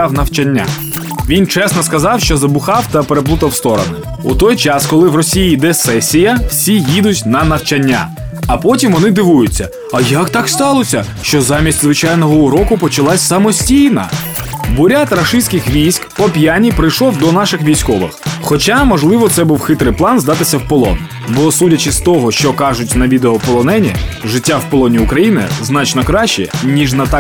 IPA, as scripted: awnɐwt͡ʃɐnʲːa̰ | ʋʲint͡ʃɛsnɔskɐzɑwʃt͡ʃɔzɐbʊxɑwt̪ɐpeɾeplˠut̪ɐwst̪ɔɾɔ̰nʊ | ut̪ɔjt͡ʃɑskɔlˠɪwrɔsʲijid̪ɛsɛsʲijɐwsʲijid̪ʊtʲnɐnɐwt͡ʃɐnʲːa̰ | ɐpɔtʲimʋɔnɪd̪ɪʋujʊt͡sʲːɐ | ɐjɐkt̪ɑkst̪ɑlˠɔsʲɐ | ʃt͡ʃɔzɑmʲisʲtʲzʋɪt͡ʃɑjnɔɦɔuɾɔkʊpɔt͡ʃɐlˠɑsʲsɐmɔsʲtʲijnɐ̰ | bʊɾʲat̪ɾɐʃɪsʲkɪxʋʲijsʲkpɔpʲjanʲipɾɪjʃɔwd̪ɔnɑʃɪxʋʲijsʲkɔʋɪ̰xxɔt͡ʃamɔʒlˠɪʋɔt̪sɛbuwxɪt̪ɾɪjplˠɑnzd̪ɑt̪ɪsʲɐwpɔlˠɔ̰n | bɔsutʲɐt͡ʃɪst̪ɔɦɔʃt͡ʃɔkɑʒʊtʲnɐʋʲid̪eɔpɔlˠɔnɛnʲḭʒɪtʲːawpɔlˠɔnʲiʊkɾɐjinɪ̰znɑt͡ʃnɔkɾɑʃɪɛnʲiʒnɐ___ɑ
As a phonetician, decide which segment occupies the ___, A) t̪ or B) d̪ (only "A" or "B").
A